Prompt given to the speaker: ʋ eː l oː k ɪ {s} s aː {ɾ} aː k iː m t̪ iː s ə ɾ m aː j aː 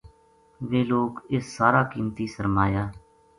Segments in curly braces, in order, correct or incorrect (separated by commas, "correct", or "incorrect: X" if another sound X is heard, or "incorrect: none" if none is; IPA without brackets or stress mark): correct, correct